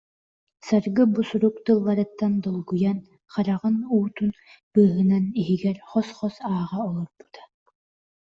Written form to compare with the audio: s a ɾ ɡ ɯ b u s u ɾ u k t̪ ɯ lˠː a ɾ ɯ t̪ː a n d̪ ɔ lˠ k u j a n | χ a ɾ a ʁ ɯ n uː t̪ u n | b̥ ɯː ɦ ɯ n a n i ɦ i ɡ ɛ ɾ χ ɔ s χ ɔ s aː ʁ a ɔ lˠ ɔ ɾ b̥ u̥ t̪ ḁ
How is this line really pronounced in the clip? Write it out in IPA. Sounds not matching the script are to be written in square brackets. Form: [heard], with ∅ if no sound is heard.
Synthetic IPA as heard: s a ɾ ɡ ɯ b u s u ɾ u k t̪ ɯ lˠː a ɾ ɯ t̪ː a n d̪ ɔ lˠ [ɡ] u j a n | χ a ɾ a ʁ ɯ n uː t̪ u n | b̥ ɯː ɦ ɯ n a n i ɦ i ɡ ɛ ɾ χ ɔ s χ ɔ s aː ʁ a ɔ lˠ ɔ ɾ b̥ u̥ t̪ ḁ